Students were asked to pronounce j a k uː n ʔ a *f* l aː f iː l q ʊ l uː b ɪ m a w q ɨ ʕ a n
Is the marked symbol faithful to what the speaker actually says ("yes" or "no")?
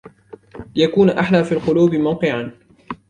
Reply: no